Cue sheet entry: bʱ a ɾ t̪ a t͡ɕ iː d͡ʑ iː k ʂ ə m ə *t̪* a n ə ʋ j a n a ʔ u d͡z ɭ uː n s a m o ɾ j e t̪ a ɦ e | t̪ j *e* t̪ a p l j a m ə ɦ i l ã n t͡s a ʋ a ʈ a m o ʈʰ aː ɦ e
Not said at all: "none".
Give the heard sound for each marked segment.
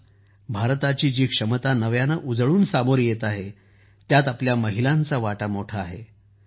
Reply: t̪, a

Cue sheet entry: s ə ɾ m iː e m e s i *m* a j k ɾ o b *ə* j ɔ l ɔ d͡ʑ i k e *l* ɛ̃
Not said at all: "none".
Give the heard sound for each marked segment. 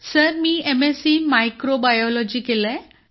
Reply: m, a, l

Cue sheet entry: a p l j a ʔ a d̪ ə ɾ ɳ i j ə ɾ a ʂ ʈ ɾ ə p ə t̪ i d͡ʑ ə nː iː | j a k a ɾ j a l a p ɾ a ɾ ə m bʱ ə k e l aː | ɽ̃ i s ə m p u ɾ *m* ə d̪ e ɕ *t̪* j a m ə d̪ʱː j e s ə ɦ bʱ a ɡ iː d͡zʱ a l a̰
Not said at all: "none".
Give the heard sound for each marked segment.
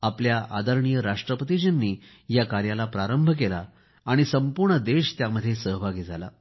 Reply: ɳ, t̪

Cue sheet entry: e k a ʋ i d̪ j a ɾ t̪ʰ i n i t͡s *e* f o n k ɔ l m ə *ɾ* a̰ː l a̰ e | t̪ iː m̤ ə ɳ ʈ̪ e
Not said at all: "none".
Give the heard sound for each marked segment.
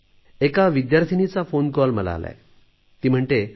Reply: a, l

